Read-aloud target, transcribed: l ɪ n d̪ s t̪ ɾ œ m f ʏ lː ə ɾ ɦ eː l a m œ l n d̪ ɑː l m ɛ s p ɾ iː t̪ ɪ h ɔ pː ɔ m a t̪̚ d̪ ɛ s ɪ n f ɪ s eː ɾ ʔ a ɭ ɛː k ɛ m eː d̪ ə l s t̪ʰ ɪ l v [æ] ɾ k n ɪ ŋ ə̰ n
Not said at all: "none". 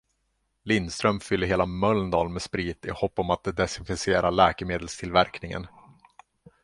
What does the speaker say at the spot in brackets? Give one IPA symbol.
æ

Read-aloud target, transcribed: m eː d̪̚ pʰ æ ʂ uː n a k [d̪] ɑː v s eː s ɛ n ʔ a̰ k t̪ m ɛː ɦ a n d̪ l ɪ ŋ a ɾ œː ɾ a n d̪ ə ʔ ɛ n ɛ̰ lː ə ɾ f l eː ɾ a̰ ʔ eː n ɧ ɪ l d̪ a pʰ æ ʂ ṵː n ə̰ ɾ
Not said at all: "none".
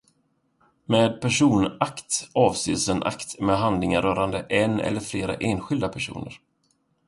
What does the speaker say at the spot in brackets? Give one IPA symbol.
t̪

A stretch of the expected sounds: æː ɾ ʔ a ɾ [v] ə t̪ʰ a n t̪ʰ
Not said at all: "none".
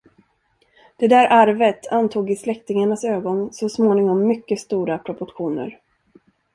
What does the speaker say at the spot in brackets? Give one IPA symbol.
v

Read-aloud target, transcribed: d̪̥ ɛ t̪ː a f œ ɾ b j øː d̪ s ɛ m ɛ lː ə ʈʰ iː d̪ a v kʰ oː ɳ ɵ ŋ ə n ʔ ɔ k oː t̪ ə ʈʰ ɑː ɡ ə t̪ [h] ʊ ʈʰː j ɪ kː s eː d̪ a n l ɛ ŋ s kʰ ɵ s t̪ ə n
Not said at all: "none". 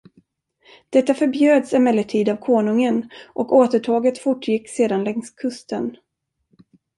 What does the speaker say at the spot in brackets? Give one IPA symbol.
f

